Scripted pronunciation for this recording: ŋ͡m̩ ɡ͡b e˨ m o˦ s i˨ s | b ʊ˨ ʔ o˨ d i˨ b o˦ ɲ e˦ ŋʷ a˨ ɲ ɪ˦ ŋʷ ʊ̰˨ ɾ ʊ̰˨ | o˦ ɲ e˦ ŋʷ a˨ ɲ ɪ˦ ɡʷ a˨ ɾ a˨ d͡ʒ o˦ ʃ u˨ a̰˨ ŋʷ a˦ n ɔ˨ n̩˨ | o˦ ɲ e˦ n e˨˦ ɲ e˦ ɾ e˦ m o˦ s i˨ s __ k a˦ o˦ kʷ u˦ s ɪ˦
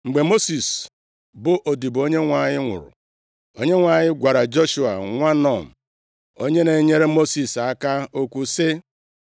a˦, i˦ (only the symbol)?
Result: a˦